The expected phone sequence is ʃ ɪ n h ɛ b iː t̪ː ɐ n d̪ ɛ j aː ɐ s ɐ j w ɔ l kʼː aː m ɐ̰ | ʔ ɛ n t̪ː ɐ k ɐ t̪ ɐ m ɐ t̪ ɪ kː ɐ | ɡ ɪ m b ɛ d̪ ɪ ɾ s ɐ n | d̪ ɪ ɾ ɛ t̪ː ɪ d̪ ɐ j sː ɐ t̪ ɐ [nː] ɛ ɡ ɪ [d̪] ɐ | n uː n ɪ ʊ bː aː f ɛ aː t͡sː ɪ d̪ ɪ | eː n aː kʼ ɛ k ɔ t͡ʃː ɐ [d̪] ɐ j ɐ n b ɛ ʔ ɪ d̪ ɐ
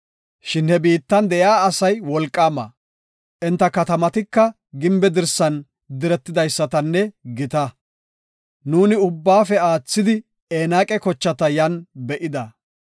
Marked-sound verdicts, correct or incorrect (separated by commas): correct, incorrect, incorrect